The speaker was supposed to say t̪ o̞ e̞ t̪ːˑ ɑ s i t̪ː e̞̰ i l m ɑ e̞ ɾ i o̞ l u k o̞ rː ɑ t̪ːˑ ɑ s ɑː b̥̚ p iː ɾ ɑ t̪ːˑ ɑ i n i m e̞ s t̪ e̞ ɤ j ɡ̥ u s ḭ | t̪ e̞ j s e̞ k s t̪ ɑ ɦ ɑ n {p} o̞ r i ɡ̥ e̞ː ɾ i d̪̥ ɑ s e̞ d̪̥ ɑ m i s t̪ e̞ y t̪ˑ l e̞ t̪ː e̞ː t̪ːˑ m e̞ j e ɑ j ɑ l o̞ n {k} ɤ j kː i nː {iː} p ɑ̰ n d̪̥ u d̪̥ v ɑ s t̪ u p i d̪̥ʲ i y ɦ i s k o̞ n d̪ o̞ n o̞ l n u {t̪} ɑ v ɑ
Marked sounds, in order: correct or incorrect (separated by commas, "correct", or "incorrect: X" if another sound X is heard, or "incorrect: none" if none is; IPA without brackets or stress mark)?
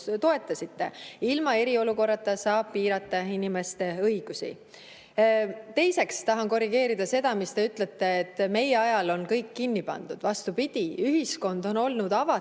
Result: incorrect: k, correct, incorrect: i, incorrect: d̪